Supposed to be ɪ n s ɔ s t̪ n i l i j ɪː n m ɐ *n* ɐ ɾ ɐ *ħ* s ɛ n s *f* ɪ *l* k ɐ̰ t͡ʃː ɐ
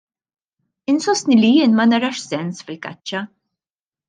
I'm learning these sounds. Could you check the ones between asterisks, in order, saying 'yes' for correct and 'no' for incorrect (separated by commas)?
yes, no, yes, yes